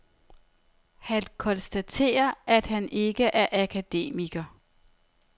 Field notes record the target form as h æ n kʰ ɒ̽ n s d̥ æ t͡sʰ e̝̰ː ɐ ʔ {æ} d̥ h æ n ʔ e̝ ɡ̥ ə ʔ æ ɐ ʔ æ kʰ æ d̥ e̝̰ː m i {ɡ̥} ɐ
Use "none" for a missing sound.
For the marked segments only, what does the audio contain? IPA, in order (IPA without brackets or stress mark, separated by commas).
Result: æ, ɡ̥